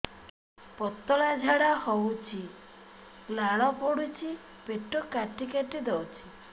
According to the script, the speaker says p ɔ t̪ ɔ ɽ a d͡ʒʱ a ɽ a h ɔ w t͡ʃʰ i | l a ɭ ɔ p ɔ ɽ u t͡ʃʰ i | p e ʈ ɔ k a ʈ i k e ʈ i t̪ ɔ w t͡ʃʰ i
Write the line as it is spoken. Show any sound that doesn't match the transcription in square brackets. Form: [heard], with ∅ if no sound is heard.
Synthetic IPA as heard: p ɔ t̪ ɔ [l] a d͡ʒʱ a ɽ a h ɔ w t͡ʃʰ i | l a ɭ ɔ p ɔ ɽ u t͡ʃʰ i | p e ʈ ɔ k a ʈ i k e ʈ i [d̪] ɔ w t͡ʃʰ i